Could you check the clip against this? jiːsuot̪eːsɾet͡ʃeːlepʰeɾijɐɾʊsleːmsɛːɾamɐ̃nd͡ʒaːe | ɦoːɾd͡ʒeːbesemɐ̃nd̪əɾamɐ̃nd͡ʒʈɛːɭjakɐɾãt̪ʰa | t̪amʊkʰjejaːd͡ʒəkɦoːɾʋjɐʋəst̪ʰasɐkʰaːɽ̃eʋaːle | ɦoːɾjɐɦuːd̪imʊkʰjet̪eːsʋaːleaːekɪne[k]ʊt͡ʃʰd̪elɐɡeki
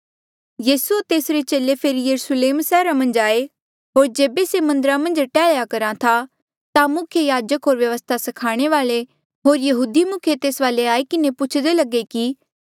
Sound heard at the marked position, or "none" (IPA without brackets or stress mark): p